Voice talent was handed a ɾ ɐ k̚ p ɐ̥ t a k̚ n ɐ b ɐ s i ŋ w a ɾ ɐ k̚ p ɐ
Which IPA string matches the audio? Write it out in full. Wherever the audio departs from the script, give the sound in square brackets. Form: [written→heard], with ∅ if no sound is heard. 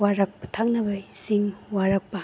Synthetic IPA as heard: a ɾ ɐ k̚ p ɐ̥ [t→tʰ] a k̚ n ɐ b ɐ s i ŋ w a ɾ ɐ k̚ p ɐ